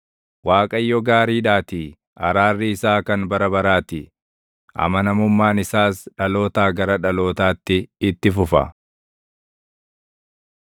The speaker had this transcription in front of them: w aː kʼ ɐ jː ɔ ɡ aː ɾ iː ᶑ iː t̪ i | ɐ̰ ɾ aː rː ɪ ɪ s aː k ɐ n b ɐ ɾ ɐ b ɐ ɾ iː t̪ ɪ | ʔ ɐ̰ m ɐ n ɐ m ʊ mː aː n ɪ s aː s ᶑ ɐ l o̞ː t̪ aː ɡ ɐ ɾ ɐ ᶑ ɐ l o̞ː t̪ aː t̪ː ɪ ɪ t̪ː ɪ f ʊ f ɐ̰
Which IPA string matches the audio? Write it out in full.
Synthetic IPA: w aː kʼ ɐ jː ɔ ɡ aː ɾ iː ᶑ aː t̪ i | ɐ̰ ɾ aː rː ɪ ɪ s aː k ɐ n b ɐ ɾ ɐ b ɐ ɾ aː t̪ ɪ | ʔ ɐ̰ m ɐ n ɐ m ʊ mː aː n ɪ s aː s ᶑ ɐ l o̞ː t̪ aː ɡ ɐ ɾ ɐ ᶑ ɐ l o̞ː t̪ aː t̪ː ɪ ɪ t̪ː ɪ f ʊ f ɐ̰